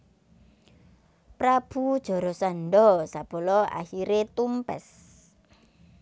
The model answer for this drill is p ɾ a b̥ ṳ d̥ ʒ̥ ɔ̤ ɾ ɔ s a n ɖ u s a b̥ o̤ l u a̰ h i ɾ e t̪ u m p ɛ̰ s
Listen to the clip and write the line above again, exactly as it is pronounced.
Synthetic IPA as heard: p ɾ a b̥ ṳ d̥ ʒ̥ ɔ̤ ɾ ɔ s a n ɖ ɔ s a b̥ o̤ l ɔ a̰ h i ɾ e t̪ u m p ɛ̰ s